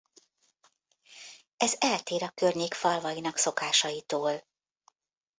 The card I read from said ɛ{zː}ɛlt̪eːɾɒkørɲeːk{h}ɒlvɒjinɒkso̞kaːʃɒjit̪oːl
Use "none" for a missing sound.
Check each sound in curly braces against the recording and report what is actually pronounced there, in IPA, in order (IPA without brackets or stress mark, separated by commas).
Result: z, f